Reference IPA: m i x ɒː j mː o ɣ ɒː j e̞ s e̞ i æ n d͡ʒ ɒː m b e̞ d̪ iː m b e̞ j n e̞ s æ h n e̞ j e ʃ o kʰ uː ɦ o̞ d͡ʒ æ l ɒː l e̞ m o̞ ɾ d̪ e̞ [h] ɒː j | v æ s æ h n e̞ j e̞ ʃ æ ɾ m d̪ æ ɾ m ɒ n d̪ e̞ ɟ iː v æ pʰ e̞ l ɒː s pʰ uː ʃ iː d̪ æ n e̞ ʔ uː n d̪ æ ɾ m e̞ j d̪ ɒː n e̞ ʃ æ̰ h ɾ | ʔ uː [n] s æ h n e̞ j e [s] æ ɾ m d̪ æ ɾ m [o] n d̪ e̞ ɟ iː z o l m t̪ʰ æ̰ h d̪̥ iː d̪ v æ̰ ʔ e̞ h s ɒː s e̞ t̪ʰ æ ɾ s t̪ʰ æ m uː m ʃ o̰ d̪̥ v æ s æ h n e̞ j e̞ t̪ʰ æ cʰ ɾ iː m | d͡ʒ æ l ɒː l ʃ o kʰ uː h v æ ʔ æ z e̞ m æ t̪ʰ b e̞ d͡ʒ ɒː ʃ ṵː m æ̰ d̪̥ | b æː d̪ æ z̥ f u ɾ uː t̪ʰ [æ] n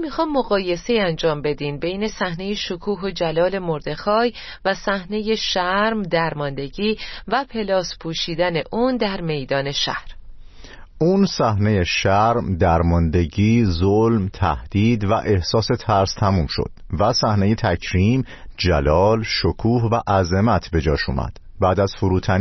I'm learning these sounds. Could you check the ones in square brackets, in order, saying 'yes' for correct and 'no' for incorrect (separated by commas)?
no, yes, no, no, yes